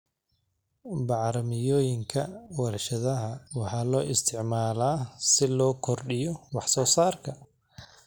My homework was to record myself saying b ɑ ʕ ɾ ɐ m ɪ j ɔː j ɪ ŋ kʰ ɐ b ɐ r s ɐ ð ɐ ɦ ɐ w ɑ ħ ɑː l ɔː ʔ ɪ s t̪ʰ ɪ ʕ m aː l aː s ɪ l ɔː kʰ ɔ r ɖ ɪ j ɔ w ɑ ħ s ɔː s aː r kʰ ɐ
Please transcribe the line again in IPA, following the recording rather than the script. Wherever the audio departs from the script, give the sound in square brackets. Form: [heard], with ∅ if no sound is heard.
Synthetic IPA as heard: b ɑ ʕ ɾ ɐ m ɪ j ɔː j ɪ ŋ kʰ ɐ [w] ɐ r [ʃ] ɐ ð ɐ ɦ ɐ w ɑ ħ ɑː l ɔː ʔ ɪ s t̪ʰ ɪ ʕ m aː l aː s ɪ l ɔː kʰ ɔ r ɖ ɪ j ɔ w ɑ ħ s ɔː s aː r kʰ ɐ